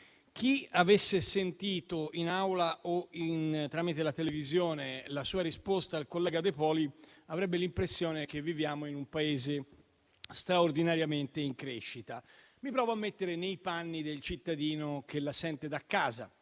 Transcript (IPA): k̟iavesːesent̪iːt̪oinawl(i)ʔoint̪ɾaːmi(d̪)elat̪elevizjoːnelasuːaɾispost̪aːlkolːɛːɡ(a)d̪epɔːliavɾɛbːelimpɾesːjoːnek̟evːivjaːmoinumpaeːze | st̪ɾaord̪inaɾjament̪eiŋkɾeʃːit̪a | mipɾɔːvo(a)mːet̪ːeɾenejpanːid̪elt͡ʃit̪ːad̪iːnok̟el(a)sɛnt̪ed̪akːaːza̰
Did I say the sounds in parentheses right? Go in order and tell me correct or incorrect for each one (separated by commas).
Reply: incorrect, incorrect, correct, correct, correct